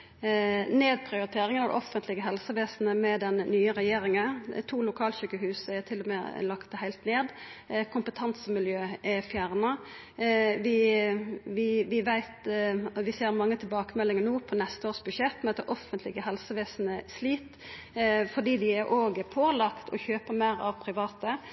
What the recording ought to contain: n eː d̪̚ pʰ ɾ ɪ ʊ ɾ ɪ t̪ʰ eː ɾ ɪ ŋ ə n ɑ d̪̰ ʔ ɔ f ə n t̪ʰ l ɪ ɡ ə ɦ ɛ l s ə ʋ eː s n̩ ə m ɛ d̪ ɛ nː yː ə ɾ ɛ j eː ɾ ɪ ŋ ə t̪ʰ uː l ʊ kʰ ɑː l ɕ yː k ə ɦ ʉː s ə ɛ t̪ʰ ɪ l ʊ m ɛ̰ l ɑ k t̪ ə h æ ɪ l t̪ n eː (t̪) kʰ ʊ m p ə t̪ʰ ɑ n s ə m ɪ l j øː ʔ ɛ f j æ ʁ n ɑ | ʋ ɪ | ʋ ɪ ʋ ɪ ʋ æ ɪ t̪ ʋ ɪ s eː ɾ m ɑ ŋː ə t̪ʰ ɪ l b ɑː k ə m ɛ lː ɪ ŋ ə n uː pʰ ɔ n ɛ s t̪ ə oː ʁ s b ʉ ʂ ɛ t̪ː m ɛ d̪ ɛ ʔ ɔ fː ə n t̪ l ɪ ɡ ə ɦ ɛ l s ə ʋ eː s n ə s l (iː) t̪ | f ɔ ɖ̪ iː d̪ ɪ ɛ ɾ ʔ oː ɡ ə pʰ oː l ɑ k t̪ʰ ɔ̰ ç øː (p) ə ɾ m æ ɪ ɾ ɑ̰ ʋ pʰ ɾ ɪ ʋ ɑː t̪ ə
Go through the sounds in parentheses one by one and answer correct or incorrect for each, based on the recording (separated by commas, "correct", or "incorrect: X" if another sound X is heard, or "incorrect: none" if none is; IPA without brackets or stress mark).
incorrect: d̪, correct, correct